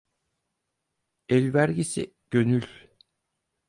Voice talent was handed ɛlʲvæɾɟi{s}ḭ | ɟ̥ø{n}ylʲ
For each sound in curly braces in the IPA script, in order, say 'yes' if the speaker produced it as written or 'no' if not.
yes, yes

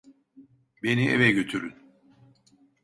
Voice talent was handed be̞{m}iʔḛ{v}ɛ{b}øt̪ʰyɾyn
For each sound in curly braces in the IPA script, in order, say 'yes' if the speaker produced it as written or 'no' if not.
no, yes, no

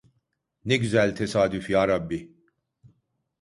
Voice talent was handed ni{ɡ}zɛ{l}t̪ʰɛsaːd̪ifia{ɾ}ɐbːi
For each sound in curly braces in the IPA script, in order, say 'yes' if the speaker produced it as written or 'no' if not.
yes, yes, yes

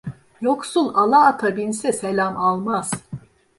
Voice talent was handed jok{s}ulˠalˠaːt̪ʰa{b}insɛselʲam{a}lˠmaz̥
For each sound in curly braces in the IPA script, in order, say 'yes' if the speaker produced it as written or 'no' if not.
yes, yes, yes

